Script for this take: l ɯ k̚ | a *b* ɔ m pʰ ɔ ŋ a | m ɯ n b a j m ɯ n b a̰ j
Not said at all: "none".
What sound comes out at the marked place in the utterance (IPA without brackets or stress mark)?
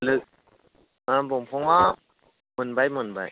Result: b